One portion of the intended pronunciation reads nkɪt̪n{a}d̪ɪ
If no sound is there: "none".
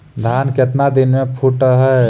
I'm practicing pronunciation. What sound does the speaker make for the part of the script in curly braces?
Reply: a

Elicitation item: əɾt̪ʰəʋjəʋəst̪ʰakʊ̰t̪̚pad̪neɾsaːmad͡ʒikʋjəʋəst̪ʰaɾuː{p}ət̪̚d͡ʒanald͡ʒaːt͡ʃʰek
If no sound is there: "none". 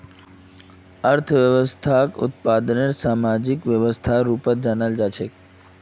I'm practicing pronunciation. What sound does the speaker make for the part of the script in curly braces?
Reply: p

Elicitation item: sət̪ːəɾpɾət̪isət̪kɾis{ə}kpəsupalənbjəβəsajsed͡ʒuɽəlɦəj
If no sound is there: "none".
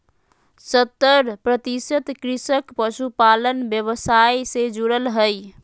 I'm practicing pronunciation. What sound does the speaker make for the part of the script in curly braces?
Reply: ə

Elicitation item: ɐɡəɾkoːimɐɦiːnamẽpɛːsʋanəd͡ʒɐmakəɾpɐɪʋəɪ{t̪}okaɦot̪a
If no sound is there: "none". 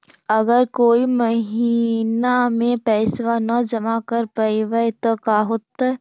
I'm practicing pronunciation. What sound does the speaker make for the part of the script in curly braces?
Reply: t̪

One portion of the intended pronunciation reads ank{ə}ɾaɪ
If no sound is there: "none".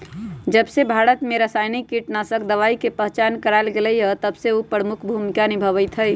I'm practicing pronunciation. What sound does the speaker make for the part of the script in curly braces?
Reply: ə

